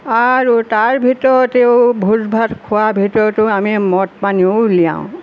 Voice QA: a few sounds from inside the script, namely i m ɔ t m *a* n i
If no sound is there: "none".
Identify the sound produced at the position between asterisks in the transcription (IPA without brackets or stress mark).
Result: a